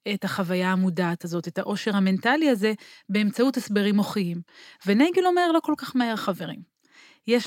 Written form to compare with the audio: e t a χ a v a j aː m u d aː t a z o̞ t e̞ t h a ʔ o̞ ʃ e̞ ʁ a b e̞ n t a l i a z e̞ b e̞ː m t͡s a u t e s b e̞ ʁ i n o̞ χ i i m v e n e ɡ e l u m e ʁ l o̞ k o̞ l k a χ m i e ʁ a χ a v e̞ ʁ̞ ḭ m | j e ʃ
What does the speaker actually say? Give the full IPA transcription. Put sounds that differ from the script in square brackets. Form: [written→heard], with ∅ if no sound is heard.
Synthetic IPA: e t a χ a v a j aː m u d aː t a z o̞ t e̞ t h a ʔ o̞ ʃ e̞ ʁ a [b→m] e̞ n t a l i a z e̞ b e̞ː m t͡s a u t e s b e̞ ʁ i [n→m] o̞ χ i i m v e n e ɡ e l [u→o] m e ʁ l o̞ k o̞ l k a χ m [i→a] e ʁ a χ a v e̞ ʁ̞ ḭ m | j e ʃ